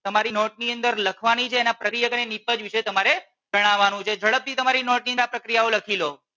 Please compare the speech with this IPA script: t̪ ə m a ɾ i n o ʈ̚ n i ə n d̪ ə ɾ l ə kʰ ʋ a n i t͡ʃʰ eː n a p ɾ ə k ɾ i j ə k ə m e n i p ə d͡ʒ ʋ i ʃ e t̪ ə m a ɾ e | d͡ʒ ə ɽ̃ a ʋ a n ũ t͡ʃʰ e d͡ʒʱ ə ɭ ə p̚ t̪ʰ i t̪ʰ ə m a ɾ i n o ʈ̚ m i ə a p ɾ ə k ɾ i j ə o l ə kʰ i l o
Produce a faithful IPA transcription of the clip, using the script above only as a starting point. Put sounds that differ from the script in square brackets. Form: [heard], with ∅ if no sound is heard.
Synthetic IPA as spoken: t̪ ə m a ɾ i n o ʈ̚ n i ə n d̪ ə ɾ l ə kʰ ʋ a n i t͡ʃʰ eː n a p ɾ ə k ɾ i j ə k ə [n] e n i p ə d͡ʒ ʋ i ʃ e t̪ ə m a ɾ e | d͡ʒ ə ɽ̃ a ʋ a n ũ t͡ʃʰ e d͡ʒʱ ə ɭ ə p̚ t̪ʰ i [t̪] ə m a ɾ i n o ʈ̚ [n] i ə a p ɾ ə k ɾ i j [a] o l ə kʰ i l o